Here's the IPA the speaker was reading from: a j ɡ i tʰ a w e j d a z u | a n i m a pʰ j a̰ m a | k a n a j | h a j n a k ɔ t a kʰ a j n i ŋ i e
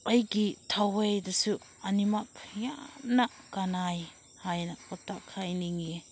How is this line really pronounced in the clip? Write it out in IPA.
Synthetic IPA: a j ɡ i tʰ a w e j d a s u | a n i m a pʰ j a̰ n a | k a n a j | h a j n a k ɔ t a kʰ a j n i ŋ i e